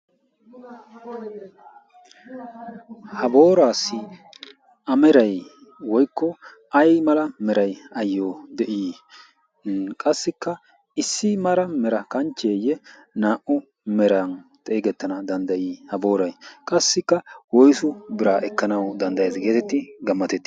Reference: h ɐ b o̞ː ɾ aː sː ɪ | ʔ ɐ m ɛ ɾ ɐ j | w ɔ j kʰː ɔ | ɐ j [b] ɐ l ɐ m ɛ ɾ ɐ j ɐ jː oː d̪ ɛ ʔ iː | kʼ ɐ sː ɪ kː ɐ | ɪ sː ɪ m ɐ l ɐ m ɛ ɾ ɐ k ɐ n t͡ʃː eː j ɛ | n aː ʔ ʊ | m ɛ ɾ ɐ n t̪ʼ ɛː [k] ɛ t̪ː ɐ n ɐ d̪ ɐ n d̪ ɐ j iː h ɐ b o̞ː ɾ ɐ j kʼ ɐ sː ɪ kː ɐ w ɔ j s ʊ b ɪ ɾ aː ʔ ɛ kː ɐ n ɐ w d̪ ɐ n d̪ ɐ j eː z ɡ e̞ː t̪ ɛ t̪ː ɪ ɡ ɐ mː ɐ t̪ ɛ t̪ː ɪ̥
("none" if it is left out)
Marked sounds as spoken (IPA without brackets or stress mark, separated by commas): m, ɡ